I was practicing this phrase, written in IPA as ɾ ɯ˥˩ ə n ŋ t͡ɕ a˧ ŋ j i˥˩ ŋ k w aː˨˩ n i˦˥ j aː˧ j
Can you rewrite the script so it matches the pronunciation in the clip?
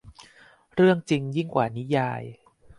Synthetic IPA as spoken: ɾ ɯ˥˩ ə ŋ t͡ɕ i˧ ŋ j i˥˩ ŋ k w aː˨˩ n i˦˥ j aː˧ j